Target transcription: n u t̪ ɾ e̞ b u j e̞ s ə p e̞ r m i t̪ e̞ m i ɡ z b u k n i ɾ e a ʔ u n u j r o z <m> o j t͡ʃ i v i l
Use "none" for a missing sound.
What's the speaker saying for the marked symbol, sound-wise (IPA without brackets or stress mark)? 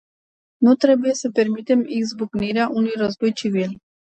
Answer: b